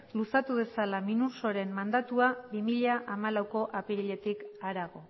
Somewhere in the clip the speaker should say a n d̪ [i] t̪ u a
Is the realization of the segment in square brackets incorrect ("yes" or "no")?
yes